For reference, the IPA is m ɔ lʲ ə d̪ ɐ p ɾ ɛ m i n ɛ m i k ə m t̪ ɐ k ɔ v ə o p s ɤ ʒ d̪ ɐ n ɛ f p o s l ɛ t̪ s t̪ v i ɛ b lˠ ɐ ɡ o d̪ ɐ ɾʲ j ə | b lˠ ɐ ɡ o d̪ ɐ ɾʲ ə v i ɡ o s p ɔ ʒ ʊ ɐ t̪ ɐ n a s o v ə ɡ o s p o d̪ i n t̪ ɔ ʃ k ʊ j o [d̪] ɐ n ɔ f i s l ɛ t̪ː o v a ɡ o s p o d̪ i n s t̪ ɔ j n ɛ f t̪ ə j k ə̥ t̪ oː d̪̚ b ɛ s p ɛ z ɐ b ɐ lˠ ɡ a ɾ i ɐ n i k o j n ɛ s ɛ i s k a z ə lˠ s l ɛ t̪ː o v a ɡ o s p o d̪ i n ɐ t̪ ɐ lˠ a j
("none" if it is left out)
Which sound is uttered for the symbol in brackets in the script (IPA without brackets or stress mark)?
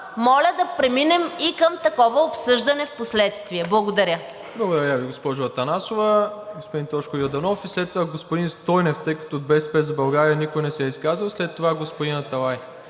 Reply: d̪